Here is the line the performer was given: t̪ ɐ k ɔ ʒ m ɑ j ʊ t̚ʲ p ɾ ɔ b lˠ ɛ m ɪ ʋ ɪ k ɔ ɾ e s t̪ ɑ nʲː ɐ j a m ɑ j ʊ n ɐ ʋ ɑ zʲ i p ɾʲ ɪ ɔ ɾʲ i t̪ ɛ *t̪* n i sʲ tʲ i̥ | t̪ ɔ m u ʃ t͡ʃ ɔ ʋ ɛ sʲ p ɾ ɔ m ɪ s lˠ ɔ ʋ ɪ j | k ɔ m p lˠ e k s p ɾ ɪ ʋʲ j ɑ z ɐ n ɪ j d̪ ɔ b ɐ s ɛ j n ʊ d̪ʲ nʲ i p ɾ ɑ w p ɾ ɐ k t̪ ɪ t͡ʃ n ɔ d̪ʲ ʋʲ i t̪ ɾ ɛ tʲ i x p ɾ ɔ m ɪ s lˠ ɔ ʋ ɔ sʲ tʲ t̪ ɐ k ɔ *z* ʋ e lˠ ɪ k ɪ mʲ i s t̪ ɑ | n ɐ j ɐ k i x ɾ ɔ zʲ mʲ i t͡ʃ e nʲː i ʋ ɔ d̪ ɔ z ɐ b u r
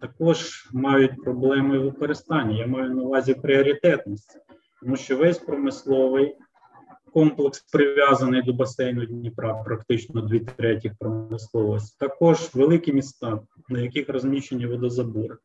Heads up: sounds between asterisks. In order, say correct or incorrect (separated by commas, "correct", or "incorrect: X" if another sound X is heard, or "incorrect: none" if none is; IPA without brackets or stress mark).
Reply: correct, incorrect: ʒ